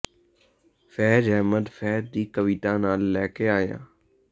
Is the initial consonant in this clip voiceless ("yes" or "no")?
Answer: yes